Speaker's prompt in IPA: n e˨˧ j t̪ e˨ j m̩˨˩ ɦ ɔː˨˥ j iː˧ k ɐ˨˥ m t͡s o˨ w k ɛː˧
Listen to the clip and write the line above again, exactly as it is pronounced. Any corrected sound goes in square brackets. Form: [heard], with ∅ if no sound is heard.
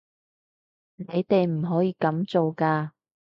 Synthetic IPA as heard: n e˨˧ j t̪ e˨ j m̩˨˩ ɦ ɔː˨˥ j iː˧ k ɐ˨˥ m t͡s o˨ w k [aː˧]